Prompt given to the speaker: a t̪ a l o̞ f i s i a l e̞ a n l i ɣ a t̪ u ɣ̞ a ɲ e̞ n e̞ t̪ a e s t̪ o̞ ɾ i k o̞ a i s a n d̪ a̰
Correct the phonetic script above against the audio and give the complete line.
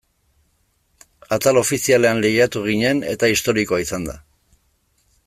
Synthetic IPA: a t̪ a l o̞ f i s i a l e̞ a n l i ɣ a t̪ u ɣ̞ i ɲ e̞ n e̞ t̪ a i s t̪ o̞ ɾ i k o̞ a i s a n d̪ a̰